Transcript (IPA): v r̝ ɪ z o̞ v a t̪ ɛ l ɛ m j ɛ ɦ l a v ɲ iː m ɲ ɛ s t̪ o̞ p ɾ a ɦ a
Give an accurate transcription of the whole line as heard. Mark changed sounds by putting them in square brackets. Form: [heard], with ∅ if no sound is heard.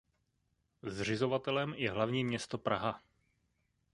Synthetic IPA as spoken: [z] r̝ ɪ z o̞ v a t̪ ɛ l ɛ m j ɛ ɦ l a v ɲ iː m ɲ ɛ s t̪ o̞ p ɾ a ɦ a